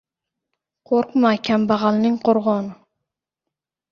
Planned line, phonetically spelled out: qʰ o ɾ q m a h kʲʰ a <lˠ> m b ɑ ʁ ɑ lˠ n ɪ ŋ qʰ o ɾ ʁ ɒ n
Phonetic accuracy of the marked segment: incorrect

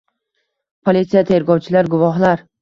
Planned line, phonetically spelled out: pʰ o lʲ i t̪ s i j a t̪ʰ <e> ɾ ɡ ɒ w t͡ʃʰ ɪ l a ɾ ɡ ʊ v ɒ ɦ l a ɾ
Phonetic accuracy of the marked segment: correct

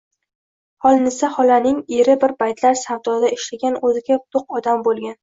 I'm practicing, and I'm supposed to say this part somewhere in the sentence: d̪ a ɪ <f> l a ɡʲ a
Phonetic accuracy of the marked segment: incorrect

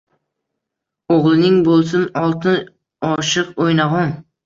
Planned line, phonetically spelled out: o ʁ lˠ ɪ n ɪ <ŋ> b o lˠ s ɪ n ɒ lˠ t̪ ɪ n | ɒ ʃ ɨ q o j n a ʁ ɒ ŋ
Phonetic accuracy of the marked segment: correct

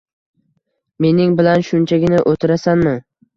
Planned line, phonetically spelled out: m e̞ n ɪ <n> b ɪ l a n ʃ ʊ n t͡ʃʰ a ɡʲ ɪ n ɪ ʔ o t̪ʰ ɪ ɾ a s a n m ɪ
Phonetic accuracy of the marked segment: incorrect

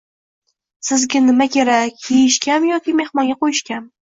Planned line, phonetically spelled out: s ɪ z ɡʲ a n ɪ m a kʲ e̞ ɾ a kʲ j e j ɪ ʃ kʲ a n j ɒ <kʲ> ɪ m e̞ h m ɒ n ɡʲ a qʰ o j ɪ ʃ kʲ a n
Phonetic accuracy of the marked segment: correct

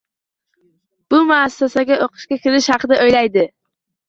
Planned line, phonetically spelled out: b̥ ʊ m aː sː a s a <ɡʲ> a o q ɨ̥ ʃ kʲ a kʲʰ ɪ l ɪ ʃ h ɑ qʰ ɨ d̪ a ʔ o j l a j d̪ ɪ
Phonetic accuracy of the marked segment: correct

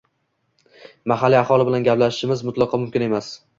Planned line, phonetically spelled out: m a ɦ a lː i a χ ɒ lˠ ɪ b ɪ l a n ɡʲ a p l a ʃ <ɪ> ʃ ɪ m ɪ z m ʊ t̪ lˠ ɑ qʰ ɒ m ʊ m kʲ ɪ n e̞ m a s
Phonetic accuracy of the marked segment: correct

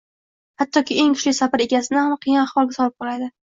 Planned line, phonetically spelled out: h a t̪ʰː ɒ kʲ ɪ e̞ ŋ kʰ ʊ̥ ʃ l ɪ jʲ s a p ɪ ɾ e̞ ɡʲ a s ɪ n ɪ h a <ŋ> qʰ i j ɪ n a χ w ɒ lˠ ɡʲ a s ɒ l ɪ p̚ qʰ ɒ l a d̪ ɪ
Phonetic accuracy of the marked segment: incorrect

